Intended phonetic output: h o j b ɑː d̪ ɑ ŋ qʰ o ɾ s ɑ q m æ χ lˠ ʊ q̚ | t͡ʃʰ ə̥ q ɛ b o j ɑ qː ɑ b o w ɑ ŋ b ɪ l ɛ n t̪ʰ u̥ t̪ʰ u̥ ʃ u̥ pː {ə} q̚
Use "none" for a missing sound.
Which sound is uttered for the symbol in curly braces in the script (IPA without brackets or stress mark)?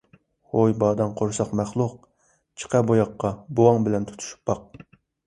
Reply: ɑ